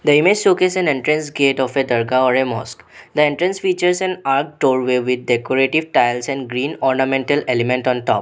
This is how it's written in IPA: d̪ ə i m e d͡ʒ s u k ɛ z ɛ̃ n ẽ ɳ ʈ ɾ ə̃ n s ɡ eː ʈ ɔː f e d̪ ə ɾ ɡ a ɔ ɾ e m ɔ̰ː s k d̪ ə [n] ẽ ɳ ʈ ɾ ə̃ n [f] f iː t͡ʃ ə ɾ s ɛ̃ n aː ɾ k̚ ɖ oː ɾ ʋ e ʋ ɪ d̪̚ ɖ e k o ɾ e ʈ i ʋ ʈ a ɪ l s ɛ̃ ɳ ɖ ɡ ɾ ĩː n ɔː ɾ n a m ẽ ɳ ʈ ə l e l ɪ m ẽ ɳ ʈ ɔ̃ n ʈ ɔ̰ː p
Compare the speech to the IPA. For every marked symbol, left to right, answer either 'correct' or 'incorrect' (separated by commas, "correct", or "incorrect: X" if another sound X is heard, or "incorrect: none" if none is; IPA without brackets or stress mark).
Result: incorrect: none, incorrect: s